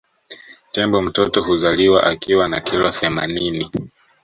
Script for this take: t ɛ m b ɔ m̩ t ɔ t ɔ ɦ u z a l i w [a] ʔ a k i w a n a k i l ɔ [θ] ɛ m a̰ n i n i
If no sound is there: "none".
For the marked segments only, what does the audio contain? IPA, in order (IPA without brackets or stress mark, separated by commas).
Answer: a, θ